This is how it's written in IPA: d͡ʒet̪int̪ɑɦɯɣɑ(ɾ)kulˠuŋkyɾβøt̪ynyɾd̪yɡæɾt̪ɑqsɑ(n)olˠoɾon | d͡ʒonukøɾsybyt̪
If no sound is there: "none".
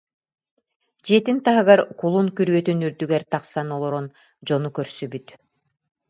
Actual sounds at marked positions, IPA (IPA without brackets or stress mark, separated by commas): ɾ, n